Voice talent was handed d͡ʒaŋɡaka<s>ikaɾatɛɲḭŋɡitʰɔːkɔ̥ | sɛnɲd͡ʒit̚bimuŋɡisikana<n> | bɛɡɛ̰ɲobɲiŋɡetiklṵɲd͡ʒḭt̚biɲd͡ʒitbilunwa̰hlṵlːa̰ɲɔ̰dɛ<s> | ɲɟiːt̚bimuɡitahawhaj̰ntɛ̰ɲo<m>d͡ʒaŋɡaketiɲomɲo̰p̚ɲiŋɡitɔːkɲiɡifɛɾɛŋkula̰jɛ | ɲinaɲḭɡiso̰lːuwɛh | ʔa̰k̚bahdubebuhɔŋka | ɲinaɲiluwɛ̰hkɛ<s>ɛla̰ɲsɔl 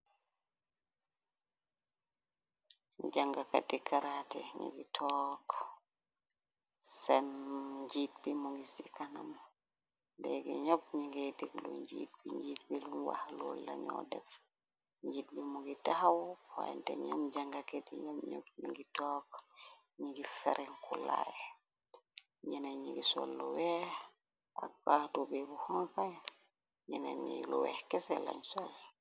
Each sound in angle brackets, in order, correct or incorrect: incorrect: t, incorrect: m, incorrect: f, correct, correct

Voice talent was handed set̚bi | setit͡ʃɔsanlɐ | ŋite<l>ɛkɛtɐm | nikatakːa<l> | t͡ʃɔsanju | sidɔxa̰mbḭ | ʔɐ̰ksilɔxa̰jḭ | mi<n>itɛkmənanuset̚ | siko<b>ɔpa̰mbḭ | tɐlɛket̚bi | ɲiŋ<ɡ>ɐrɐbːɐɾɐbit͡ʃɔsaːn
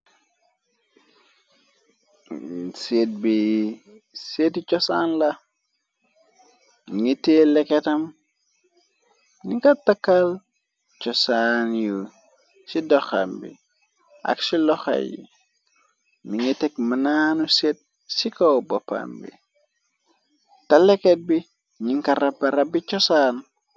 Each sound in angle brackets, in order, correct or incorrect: correct, correct, incorrect: ŋ, correct, incorrect: k

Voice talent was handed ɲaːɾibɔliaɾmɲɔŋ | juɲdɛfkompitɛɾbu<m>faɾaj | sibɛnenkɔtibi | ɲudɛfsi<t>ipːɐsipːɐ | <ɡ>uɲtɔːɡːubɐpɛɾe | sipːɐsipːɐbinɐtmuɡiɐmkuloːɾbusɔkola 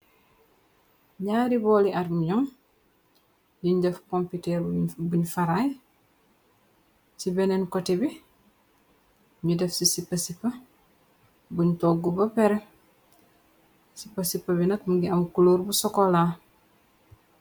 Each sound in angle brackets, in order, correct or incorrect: incorrect: ɲ, incorrect: s, incorrect: b

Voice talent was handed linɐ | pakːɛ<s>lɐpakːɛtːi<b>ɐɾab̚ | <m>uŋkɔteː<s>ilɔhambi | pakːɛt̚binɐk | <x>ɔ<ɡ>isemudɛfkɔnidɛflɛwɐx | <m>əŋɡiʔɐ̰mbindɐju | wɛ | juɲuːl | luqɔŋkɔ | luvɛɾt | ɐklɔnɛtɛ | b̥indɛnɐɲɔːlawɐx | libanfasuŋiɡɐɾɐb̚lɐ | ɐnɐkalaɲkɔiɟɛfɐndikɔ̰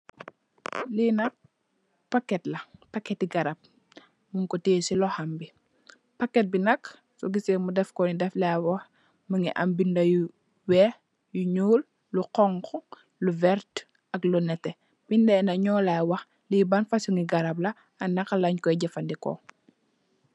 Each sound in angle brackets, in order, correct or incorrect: incorrect: t, incorrect: ɡ, correct, correct, incorrect: s, correct, correct

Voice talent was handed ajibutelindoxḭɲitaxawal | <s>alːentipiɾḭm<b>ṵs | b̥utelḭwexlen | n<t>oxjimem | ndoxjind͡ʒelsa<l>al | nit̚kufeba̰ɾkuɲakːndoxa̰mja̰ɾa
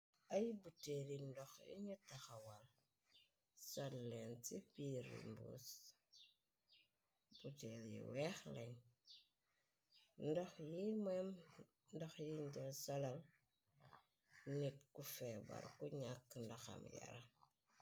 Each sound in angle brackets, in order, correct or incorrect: correct, correct, incorrect: d, correct

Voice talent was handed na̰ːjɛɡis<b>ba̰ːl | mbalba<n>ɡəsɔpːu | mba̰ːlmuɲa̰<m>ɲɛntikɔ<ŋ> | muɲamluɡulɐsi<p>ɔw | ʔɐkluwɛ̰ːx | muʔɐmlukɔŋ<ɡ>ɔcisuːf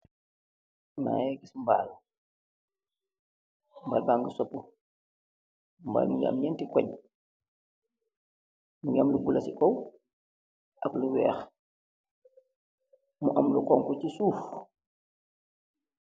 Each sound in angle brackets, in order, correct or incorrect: incorrect: m, incorrect: ŋ, correct, incorrect: ɲ, incorrect: k, incorrect: k

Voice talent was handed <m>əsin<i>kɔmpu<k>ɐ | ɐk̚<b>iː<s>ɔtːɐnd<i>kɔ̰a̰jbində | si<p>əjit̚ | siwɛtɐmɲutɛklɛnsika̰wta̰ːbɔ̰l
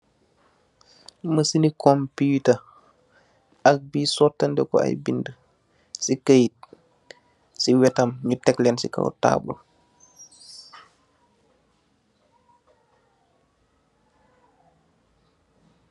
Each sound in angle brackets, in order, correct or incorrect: correct, correct, incorrect: t, correct, correct, incorrect: ɛ, incorrect: k

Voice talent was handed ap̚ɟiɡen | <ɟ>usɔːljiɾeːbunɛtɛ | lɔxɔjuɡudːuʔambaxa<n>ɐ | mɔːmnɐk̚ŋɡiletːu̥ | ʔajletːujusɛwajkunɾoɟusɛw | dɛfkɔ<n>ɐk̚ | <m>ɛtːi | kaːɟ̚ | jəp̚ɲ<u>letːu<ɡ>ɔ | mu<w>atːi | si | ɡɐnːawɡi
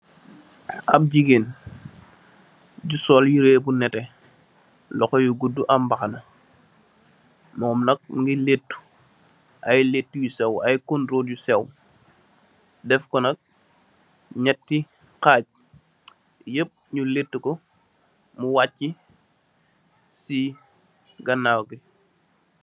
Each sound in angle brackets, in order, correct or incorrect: correct, correct, correct, incorrect: ɲ, correct, incorrect: k, correct

